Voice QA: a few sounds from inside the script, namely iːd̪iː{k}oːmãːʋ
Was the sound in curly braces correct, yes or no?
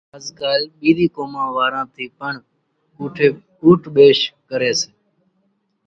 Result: yes